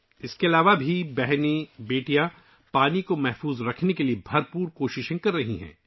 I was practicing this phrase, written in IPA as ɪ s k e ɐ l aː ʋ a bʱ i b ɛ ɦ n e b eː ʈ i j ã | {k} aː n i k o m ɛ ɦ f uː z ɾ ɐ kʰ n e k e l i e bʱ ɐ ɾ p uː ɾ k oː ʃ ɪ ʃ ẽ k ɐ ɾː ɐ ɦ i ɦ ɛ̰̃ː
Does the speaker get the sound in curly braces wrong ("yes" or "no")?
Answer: yes